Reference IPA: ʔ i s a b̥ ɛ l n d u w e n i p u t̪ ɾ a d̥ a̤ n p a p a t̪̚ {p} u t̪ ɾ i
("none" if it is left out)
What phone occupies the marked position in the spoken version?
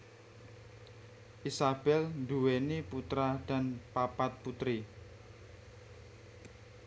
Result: p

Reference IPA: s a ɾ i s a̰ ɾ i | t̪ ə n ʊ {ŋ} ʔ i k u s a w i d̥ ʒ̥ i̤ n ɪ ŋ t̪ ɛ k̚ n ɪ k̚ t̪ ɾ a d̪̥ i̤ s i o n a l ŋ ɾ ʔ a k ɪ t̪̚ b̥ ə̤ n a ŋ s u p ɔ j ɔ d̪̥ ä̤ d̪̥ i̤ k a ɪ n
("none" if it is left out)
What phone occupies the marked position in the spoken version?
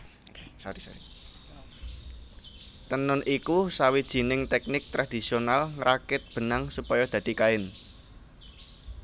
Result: n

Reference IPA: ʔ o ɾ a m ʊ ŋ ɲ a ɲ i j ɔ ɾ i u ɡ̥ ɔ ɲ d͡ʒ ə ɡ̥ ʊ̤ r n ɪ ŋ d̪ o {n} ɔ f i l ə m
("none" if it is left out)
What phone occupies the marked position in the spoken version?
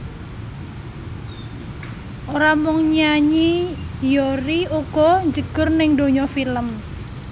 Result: ɲ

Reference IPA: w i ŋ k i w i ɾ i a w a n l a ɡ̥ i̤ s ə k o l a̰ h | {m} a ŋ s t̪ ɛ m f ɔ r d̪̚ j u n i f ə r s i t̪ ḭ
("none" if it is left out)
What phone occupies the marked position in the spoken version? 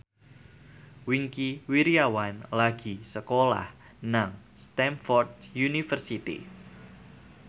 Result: n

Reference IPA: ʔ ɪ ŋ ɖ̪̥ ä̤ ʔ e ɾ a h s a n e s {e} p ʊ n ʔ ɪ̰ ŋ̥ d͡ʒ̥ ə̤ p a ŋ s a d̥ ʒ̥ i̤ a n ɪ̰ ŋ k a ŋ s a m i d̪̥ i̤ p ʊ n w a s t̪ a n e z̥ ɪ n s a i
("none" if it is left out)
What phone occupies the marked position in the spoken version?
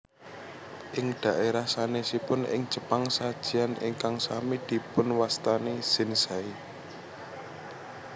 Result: i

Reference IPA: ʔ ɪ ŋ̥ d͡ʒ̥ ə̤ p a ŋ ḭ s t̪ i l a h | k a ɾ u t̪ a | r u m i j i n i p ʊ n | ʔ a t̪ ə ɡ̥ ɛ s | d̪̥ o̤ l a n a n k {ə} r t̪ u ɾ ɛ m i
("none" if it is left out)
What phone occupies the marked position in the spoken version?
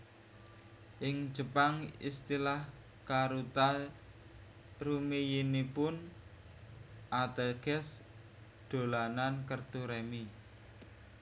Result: ə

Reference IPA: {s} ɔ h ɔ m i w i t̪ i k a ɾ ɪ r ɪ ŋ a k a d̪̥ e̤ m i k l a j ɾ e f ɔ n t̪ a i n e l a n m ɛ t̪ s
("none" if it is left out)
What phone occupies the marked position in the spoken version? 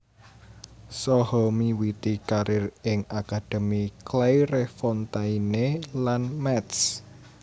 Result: s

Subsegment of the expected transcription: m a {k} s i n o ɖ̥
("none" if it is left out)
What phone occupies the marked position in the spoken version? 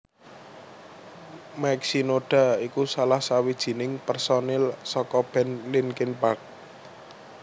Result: k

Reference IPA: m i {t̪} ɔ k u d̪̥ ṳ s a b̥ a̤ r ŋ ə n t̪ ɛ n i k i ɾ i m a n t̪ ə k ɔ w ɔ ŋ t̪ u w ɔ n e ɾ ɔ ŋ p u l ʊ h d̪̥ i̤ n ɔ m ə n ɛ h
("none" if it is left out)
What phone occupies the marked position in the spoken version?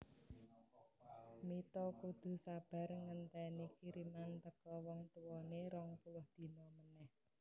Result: t̪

